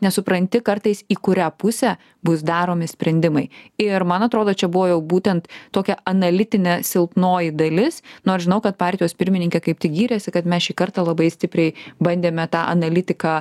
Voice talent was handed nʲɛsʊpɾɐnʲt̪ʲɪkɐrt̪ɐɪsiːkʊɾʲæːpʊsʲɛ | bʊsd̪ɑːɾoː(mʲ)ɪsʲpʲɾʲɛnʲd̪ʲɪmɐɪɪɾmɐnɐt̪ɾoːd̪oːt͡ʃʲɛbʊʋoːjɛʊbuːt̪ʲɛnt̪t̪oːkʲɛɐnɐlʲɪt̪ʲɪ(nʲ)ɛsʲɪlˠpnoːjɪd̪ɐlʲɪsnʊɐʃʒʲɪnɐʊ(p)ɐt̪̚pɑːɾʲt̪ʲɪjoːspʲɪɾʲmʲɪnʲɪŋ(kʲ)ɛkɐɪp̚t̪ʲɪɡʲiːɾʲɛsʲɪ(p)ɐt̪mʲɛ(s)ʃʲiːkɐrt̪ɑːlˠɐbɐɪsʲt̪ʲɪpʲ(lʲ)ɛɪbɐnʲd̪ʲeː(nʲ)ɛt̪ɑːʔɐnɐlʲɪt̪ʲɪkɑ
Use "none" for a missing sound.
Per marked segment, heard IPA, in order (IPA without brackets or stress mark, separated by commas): mʲ, nʲ, k, kʲ, k, s, ɾʲ, mʲ